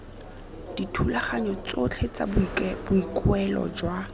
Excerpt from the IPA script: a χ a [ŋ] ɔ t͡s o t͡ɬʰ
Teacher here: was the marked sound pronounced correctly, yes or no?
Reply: no